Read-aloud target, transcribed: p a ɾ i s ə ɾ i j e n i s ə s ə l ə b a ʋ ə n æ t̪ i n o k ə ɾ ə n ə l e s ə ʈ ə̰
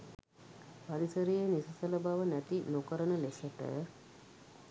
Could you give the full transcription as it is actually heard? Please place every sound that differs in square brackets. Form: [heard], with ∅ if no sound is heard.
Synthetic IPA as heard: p a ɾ i s ə ɾ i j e n i s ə s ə l ə b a ʋ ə n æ t̪ i n o k ə ɾ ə n ə l e s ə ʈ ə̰

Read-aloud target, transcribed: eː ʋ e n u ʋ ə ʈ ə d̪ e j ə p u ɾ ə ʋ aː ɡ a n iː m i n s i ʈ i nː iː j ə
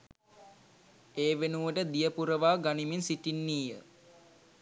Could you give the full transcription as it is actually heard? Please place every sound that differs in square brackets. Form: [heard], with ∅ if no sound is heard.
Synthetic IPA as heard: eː ʋ e n u ʋ ə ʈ ə d̪ [i] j ə p u ɾ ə ʋ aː ɡ a n [i] m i n s i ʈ i nː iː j ə

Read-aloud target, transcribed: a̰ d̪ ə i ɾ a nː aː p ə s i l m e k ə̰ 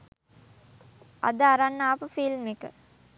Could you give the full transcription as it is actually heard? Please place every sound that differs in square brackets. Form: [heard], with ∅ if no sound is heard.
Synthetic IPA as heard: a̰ d̪ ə [a] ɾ a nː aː p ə [f] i l m e k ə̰

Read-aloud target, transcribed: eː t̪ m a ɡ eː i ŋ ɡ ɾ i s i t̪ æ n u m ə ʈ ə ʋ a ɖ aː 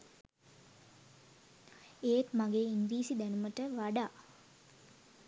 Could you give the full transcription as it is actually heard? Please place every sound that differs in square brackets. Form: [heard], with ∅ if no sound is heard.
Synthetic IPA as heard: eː t̪ m a ɡ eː i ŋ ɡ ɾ [iː] s i [d̪] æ n u m ə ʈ ə ʋ a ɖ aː

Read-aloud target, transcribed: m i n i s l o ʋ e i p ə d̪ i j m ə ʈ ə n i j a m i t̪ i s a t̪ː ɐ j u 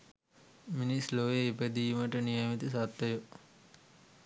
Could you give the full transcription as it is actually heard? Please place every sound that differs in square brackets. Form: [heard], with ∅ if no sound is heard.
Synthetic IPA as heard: m i n i s l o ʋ e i p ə d̪ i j m ə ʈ ə n i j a m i t̪ i s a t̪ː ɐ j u

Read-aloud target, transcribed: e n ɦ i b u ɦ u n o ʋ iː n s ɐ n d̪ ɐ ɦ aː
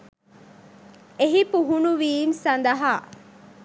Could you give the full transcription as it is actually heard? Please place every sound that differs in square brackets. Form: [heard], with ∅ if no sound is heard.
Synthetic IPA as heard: e [∅] ɦ i [p] u ɦ u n [u] ʋ iː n s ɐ n d̪ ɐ ɦ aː

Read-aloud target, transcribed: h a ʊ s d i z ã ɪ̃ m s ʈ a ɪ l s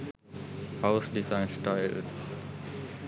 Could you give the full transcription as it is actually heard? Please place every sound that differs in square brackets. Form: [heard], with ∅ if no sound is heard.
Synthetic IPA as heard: h a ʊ s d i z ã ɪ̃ [n] s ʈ a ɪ l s

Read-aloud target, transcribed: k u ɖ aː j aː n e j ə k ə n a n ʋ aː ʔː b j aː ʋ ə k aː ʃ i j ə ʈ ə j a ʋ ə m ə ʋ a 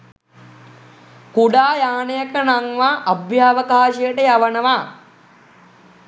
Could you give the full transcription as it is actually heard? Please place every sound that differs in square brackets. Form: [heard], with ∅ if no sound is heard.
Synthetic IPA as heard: k u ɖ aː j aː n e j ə k ə n a [ŋ] ʋ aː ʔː b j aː ʋ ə k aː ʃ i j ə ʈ ə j a ʋ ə [n] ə ʋ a

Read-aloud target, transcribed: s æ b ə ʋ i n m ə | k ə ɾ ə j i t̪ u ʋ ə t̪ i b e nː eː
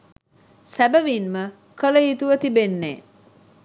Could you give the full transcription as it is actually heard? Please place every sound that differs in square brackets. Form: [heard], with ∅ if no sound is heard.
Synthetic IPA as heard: s æ b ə ʋ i n m ə | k ə [l] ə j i t̪ u ʋ ə t̪ i b e nː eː

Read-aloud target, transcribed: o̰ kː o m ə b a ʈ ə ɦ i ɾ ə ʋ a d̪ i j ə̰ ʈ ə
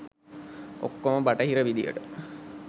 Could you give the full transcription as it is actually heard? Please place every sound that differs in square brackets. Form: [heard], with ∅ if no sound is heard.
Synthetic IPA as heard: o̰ kː o m ə b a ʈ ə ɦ i ɾ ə ʋ [i] d̪ i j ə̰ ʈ ə

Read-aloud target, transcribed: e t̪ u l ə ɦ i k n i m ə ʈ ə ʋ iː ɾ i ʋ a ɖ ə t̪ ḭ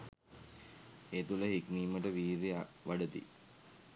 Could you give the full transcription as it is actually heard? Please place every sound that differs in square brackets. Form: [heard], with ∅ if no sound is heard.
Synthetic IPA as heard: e t̪ u l ə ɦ i k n [iː] m ə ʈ ə ʋ iː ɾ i ʋ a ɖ ə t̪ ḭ

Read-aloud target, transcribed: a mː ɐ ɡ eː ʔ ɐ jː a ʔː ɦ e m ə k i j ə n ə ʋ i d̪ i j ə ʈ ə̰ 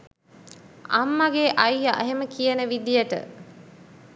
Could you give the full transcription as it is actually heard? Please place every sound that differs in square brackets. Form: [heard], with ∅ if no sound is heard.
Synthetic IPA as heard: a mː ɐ ɡ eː ʔ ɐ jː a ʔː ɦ e m ə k i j ə n ə ʋ i d̪ i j ə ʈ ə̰

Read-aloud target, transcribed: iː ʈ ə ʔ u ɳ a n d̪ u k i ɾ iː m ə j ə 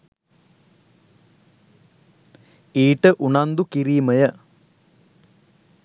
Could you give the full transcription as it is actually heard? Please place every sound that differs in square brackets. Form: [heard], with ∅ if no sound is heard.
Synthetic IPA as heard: iː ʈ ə ʔ u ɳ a n d̪ u k i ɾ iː m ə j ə

